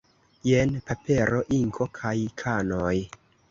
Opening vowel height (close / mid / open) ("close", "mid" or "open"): mid